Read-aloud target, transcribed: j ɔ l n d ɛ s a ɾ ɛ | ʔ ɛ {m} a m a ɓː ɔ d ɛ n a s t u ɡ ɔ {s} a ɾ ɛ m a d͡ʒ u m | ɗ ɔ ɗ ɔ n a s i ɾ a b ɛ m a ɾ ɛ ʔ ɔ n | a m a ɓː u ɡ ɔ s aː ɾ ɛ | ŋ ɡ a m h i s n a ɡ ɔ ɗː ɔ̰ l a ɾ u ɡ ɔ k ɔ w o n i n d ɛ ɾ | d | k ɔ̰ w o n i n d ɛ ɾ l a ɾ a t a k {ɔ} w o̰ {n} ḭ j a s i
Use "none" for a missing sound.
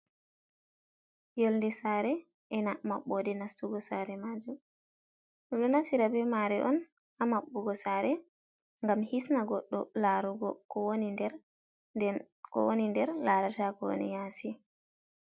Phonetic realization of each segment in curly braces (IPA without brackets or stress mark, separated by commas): n, s, ɔ, n